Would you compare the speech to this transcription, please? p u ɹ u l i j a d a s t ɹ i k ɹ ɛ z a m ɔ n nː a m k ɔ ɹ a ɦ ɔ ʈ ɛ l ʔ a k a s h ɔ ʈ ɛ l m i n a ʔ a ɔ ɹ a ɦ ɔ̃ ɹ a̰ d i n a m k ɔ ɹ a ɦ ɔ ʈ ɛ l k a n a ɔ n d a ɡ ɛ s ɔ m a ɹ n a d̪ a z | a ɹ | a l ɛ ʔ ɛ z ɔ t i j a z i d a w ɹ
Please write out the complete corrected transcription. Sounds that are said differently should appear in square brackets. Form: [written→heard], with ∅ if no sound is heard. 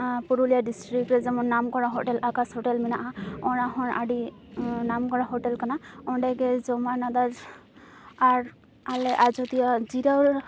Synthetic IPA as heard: p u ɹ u l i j a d [a→i] s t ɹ i k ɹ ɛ z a m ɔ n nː a m k ɔ ɹ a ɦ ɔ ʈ ɛ l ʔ a k a s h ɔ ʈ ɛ l m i n a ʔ a ɔ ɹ a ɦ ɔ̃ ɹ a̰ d i n a m k ɔ ɹ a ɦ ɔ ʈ ɛ l k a n a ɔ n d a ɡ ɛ [s→z] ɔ m a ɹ n a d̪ a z | a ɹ | a l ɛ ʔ [ɛ→a] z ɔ t i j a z i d a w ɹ